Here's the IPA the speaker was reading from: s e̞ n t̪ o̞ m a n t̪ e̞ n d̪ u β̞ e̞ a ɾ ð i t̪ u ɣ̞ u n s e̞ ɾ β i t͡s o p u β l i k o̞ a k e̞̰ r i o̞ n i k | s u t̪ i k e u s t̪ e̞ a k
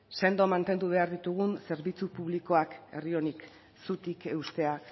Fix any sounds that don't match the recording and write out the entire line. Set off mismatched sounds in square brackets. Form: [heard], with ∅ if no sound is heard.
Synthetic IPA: s e̞ n [d̪] o̞ m a n t̪ e̞ n d̪ u β̞ e̞ a ɾ ð i t̪ u ɣ̞ u n s e̞ ɾ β i t͡s [u] p u β l i k o̞ a k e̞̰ r i o̞ n i k | s u t̪ i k e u s t̪ e̞ a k